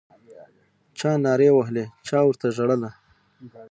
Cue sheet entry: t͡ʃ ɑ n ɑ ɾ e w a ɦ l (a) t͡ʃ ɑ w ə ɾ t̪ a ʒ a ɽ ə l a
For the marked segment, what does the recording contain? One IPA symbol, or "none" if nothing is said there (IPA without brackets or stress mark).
e